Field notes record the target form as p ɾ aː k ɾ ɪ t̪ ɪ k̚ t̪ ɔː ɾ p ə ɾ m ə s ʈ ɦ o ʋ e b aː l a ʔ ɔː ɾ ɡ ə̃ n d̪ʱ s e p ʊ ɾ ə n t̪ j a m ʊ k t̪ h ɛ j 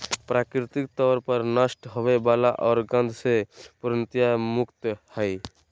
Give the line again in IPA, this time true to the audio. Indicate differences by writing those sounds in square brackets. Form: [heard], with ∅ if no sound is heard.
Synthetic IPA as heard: p ɾ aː k ɾ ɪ t̪ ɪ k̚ t̪ ɔː ɾ p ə ɾ [n] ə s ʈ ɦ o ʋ e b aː l a ʔ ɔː ɾ ɡ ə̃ n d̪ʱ s e p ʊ ɾ ə n t̪ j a m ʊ k t̪ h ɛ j